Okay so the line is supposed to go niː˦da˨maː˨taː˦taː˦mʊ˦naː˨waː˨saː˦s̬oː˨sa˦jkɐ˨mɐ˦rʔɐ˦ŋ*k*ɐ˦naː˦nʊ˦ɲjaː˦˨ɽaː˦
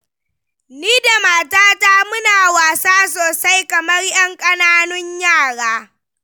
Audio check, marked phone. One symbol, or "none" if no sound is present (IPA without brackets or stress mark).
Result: kʼ